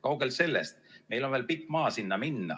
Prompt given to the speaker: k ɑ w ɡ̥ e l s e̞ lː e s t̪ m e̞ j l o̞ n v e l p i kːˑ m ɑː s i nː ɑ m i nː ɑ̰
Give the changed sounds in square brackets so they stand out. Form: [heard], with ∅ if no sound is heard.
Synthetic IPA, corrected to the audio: k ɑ w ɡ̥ e l s e̞ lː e s t̪ m e̞ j l o̞ n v e l p i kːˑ m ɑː s i nː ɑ m i nː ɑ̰